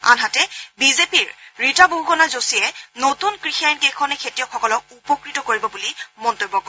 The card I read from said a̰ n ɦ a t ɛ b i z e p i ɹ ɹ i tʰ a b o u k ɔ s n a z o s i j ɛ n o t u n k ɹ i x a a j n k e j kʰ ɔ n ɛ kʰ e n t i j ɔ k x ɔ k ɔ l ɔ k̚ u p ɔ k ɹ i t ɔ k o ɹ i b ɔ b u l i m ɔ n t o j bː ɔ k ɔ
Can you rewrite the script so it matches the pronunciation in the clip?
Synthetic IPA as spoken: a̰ n ɦ a t ɛ b i z e p i ɹ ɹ i t a b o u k ɔ n a z o s i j ɛ n o t u n k ɹ i x i a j n k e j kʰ ɔ n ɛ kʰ e t i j ɔ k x ɔ k ɔ l ɔ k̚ u p ɔ k ɹ i t ɔ k o ɹ i b ɔ b u l i m ɔ n t o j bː ɔ k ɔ